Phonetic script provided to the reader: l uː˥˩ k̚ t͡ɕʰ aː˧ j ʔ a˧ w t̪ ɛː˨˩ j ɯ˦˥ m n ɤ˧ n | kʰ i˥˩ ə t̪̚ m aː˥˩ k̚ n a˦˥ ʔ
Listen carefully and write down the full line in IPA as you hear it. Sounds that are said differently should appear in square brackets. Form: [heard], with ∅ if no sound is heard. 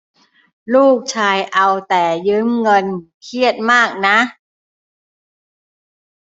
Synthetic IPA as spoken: l uː˥˩ k̚ t͡ɕʰ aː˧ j ʔ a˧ w t̪ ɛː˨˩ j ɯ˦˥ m [ŋ] ɤ˧ n | kʰ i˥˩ ə t̪̚ m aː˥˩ k̚ n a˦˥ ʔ